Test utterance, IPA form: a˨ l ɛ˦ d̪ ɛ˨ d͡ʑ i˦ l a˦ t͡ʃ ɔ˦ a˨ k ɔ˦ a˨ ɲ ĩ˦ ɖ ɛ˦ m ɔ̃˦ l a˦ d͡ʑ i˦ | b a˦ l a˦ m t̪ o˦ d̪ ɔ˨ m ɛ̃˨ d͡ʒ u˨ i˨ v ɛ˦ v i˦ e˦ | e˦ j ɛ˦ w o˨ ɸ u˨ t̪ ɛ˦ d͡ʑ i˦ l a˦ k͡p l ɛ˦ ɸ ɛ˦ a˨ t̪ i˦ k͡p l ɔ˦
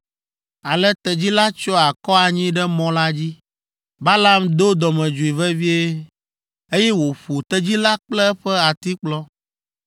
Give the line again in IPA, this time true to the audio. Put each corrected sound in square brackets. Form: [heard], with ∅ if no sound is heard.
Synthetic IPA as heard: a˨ l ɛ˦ [t̪] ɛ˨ d͡ʑ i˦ l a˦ t͡ʃ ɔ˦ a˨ k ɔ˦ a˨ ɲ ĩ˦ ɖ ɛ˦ m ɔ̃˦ l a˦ d͡ʑ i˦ | b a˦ l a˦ m [d̪] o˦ d̪ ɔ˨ m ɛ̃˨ d͡ʒ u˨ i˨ v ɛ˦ v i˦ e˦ | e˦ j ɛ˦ w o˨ ɸ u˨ t̪ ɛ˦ d͡ʑ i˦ l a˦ k͡p l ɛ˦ ɸ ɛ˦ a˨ t̪ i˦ k͡p l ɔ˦